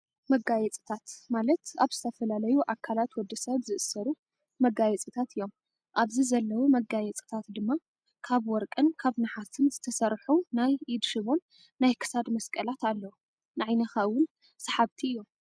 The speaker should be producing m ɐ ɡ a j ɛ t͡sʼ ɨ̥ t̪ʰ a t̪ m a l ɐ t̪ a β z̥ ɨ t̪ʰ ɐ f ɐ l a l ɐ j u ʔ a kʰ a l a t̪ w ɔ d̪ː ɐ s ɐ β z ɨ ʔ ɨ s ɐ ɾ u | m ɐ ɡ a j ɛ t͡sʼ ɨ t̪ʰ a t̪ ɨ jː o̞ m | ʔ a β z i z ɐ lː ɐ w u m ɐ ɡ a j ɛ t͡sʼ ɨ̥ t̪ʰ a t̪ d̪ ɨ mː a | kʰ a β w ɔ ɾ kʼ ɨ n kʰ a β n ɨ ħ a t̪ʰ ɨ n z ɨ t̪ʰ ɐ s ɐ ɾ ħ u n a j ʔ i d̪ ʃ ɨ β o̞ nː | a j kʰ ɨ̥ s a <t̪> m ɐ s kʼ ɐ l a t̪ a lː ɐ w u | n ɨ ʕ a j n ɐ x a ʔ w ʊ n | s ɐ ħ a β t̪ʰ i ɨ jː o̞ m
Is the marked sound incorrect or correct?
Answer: incorrect: d̪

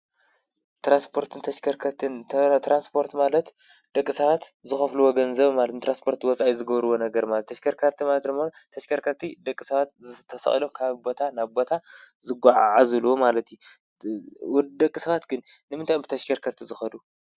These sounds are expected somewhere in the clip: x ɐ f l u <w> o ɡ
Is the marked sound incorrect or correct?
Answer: correct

